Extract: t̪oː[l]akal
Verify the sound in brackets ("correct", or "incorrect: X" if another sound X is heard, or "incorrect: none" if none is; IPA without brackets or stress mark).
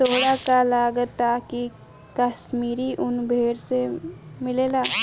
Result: incorrect: ɽ